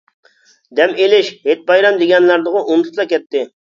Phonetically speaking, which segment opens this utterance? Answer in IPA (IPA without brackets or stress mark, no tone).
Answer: d̪